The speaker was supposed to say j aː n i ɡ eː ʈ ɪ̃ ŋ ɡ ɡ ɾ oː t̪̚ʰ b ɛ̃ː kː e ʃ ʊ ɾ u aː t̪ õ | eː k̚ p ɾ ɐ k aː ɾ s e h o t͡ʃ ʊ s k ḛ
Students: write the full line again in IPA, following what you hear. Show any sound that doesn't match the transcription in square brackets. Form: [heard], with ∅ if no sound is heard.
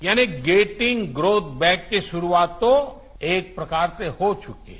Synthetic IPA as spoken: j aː n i ɡ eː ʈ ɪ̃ ŋ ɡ ɡ ɾ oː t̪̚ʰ b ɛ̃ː kː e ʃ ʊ ɾ u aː t̪ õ | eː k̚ p ɾ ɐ k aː ɾ s e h o t͡ʃ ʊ [∅] k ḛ